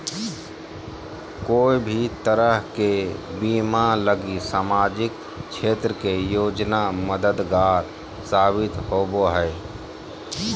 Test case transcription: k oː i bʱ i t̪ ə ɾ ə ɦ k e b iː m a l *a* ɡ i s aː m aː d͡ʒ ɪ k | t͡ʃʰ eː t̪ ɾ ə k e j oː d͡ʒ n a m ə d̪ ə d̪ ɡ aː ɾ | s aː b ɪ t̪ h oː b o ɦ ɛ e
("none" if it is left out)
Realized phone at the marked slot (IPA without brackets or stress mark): ə